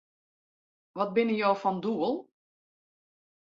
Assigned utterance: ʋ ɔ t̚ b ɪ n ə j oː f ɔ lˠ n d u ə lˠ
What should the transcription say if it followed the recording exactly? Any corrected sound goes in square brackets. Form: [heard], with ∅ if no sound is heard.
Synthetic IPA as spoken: ʋ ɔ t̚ b ɪ n ə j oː f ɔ [∅] n d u ə lˠ